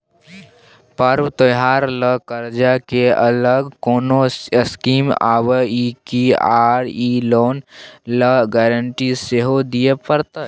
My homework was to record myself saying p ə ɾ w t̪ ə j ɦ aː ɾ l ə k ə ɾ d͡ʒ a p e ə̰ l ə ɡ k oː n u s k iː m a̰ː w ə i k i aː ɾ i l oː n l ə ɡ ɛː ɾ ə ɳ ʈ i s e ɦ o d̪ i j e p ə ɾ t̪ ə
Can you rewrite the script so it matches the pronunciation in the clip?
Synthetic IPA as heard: p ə ɾ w t̪ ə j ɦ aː ɾ l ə k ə ɾ d͡ʒ a k e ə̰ l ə ɡ k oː n o s k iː m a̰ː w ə i k i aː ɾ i l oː n l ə ɡ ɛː ɾ ə ɳ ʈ i s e ɦ o d̪ i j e p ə ɾ t̪ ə